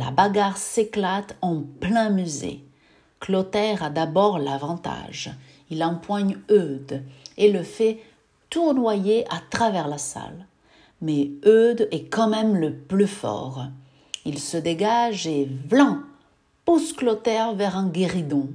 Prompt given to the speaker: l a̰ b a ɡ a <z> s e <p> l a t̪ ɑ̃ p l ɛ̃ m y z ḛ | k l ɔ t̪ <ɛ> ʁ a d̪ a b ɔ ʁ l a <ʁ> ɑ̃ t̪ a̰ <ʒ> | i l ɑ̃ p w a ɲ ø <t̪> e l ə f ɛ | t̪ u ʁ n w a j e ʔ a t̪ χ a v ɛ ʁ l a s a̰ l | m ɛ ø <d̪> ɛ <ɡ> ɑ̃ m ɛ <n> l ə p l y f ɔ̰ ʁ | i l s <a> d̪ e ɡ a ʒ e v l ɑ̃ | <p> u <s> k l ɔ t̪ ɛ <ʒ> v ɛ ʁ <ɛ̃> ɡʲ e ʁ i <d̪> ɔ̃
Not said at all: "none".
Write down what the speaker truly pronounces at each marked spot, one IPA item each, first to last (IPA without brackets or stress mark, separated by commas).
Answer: ʁ, k, ɛ, v, ʒ, d̪, d̪, k, m, ə, p, s, ʁ, ɛ̃, d̪